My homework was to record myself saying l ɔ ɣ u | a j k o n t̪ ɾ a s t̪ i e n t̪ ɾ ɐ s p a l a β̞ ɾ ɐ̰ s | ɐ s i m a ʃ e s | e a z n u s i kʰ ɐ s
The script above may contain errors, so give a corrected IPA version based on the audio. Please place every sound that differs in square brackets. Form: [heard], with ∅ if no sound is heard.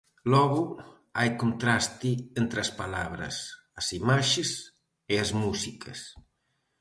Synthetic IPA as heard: l ɔ ɣ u | a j k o n t̪ ɾ a s t̪ i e n t̪ ɾ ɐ s p a l a β̞ ɾ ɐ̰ s | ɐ s i m a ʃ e s | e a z [m] u s i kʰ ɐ s